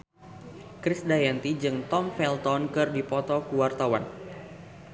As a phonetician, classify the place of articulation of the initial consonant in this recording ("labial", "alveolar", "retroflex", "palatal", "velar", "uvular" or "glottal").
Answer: velar